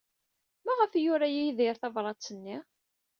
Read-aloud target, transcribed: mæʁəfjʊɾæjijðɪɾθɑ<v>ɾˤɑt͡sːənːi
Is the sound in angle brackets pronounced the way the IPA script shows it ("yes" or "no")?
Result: yes